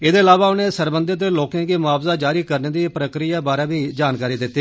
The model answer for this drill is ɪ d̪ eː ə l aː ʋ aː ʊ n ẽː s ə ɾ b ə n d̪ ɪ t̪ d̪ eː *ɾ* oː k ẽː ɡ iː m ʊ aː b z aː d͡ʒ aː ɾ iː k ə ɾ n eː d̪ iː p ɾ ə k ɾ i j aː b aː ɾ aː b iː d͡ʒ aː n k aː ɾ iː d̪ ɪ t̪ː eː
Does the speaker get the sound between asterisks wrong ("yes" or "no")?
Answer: yes